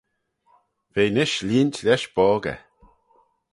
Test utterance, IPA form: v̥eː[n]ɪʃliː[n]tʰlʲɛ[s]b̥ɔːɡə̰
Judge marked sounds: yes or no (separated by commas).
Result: yes, yes, no